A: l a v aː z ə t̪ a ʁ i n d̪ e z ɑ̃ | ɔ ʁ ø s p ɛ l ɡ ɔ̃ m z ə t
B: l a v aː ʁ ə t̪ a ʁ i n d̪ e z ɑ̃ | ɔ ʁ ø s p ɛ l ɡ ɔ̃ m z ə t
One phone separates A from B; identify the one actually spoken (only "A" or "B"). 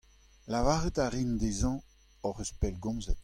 B